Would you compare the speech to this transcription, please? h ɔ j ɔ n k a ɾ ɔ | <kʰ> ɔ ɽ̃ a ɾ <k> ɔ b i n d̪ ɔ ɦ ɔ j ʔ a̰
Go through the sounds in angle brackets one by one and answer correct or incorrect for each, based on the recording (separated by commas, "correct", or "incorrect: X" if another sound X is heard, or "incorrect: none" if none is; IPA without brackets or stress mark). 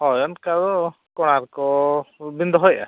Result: incorrect: k, correct